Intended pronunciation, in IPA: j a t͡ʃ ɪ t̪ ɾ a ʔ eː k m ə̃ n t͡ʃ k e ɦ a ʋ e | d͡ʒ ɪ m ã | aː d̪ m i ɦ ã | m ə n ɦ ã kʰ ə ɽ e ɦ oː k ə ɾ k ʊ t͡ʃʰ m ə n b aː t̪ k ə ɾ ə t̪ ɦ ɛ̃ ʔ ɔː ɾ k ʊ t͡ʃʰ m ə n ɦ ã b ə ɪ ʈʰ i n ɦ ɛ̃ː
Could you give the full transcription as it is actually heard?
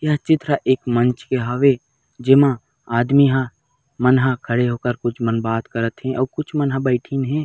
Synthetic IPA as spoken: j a t͡ʃ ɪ t̪ ɾ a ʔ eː k m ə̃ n t͡ʃ k e ɦ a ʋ e | d͡ʒ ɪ m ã | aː d̪ m i ɦ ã | m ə n ɦ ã kʰ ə ɽ e ɦ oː k ə ɾ k ʊ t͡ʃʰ m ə n b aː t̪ k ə ɾ ə t̪ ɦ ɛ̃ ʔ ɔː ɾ k ʊ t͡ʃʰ m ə n ɦ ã b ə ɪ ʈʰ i n ɦ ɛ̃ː